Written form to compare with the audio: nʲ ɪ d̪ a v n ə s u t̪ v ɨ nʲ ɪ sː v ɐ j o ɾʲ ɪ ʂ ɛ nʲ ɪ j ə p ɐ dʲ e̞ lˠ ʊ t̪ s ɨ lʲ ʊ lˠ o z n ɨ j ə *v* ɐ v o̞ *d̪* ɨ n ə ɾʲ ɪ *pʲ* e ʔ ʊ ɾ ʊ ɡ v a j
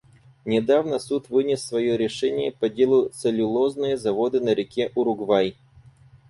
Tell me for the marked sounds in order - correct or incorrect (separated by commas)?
incorrect, correct, incorrect